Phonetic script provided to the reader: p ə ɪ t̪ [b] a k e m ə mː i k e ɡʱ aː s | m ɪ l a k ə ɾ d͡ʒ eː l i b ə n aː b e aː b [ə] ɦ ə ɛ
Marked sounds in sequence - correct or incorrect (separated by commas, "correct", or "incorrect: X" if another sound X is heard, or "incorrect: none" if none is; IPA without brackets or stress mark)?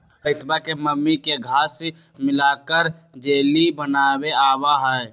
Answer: correct, incorrect: a